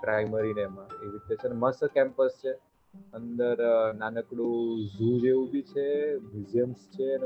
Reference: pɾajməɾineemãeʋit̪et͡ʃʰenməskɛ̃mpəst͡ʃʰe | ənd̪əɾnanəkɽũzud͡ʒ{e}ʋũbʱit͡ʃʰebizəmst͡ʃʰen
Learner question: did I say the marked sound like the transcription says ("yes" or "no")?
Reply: yes